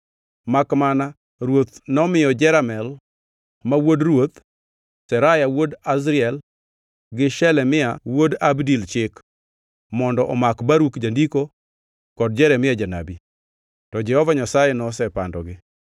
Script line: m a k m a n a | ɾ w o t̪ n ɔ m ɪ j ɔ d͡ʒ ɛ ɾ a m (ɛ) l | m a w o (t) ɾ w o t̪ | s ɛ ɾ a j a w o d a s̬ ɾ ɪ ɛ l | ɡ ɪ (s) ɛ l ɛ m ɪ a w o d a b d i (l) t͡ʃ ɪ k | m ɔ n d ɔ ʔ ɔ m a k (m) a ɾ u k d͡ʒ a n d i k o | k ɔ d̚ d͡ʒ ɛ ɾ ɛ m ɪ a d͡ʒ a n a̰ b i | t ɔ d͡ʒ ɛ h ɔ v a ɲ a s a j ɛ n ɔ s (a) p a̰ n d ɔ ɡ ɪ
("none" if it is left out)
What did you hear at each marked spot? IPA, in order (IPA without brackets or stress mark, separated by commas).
ɛ, d, ʃ, l, b, ɛ